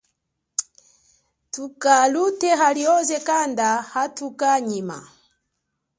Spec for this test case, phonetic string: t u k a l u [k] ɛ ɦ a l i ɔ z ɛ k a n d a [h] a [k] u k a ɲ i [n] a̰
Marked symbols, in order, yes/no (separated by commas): no, yes, no, no